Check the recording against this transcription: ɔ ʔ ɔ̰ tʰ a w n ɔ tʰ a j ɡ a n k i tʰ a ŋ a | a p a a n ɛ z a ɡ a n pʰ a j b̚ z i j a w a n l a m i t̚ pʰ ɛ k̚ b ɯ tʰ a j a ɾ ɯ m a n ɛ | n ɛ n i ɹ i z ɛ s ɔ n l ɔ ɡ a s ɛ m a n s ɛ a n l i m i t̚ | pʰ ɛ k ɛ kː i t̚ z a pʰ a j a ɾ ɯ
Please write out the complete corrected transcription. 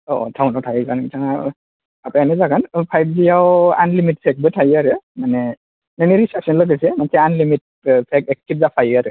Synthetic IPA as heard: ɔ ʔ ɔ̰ tʰ a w n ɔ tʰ a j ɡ a n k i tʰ a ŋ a | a p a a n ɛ z a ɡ a n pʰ a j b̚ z i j a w a n l i m i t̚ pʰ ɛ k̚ b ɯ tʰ a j a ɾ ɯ m a n ɛ | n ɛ n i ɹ i s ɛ s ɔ n l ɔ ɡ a s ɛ m a n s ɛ a n l i m i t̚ | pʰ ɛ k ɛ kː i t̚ z a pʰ a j a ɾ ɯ